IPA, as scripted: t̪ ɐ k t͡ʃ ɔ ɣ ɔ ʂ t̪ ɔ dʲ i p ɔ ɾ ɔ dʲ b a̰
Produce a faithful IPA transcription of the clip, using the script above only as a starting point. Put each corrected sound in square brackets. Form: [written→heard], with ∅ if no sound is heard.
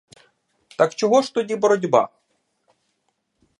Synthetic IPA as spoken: t̪ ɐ k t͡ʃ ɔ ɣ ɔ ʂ t̪ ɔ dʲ i [p→b] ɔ ɾ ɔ dʲ b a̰